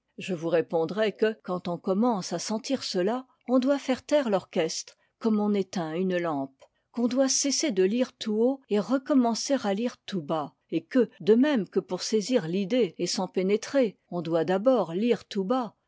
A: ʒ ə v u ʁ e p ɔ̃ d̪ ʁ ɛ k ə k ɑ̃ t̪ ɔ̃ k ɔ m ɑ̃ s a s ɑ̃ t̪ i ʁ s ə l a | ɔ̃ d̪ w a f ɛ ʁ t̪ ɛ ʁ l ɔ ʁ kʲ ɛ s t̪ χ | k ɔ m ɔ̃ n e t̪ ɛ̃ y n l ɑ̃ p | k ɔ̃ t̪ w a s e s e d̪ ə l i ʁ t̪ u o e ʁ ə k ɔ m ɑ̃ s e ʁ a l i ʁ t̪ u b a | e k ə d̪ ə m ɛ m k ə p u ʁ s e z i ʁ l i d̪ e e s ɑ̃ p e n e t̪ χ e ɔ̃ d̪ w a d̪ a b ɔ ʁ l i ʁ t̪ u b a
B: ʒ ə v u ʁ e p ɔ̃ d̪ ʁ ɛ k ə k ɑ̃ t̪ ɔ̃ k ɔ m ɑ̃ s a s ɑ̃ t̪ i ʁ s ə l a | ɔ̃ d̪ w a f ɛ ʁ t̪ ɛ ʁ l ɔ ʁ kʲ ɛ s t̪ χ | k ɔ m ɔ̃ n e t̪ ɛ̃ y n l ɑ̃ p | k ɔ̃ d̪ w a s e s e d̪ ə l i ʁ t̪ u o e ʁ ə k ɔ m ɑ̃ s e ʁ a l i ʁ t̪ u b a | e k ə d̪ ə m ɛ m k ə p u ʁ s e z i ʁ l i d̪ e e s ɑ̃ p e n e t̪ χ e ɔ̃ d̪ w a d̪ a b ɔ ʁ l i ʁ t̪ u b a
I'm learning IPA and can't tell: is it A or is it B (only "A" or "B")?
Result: B